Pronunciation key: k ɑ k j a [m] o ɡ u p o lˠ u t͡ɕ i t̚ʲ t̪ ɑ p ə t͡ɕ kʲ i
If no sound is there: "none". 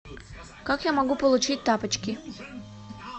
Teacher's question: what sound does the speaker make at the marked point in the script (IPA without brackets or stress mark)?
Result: m